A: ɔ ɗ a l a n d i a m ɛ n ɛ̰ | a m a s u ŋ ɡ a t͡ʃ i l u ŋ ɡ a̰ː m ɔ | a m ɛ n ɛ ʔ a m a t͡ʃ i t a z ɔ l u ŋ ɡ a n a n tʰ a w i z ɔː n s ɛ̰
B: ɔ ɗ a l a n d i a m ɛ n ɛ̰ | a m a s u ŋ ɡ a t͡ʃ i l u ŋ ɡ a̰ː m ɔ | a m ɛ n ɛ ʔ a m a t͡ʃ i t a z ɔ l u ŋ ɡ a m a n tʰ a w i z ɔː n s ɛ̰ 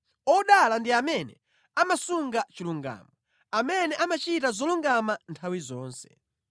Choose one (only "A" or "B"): B